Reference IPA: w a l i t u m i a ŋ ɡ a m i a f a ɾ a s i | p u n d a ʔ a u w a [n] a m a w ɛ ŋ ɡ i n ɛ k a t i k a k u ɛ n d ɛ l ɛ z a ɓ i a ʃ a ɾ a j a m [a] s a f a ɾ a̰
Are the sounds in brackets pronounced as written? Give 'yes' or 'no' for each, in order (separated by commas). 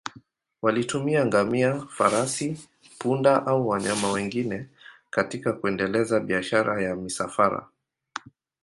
no, no